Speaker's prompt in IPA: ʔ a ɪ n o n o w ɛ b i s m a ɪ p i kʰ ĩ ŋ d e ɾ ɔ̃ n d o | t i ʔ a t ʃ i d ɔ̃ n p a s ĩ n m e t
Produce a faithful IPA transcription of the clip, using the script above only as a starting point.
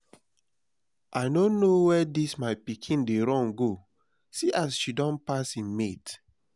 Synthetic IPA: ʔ a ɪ n o n o w ɛ d i s m a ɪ p i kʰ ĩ n d e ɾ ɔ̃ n ɡ o | s i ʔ a s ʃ i d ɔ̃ n p a s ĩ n m e t